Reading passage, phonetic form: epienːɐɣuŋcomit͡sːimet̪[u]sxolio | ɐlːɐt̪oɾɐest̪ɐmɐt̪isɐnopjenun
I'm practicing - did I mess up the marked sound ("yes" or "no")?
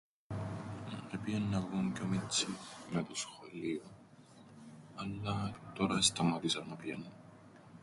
yes